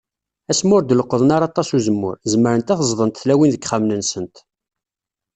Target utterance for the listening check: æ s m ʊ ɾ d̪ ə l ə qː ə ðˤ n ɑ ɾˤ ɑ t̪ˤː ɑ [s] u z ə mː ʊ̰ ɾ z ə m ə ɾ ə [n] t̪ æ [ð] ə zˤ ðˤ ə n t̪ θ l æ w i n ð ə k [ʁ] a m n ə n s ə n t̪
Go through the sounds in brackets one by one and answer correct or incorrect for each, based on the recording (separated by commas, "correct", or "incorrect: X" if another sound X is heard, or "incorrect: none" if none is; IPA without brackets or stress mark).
correct, correct, incorrect: θ, incorrect: χ